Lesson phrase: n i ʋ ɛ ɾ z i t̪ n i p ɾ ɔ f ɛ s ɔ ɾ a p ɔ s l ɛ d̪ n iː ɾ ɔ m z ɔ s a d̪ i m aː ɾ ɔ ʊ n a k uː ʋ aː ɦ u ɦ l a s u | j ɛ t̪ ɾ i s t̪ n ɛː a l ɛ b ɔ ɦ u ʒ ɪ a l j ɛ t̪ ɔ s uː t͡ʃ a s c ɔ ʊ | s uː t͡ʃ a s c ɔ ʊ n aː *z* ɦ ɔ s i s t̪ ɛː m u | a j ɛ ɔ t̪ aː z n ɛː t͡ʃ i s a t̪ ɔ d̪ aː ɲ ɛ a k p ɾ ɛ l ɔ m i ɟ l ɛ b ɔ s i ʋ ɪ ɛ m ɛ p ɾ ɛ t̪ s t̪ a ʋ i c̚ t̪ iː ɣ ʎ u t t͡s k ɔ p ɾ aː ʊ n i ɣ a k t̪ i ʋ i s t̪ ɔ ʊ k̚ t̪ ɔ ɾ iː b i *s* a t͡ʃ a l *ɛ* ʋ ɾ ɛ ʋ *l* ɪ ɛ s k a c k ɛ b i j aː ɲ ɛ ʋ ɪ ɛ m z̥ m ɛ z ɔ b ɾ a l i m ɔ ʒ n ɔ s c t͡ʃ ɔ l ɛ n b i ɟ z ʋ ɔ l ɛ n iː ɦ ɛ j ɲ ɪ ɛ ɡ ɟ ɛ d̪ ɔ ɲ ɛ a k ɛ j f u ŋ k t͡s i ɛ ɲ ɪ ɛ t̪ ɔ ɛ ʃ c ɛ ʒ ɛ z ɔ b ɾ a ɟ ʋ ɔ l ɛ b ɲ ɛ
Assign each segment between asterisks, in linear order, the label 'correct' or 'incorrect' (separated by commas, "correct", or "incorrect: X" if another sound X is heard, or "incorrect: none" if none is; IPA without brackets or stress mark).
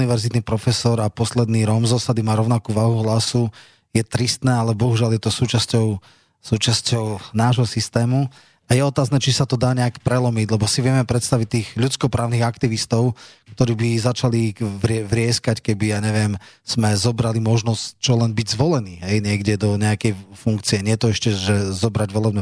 incorrect: ʒ, incorrect: z, incorrect: i, incorrect: ɾ